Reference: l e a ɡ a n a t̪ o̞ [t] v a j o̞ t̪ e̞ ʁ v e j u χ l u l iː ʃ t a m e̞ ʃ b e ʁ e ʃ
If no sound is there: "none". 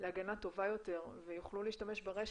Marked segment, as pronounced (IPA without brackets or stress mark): none